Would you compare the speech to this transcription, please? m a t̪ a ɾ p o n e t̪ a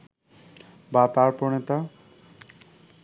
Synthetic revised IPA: b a t̪ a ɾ p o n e t̪ a